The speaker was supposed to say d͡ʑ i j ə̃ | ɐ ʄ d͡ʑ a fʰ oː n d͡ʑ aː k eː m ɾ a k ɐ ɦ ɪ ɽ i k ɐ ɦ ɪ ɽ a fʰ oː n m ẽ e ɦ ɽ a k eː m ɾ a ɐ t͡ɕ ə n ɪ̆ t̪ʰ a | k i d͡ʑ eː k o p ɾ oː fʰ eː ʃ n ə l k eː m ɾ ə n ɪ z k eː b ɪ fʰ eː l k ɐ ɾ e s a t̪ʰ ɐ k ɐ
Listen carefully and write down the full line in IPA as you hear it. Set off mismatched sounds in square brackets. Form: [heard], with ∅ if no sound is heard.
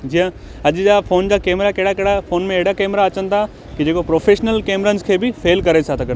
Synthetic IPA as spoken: d͡ʑ i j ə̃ | ɐ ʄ d͡ʑ a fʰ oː n d͡ʑ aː k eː m ɾ a k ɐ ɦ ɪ ɽ [a] k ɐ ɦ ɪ ɽ a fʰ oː n m ẽ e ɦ ɽ a k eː m ɾ a ɐ t͡ɕ ə n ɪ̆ t̪ʰ a | k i d͡ʑ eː k o p ɾ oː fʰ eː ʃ n ə l k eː m ɾ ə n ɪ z [kʰ] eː b ɪ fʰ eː l k ɐ ɾ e s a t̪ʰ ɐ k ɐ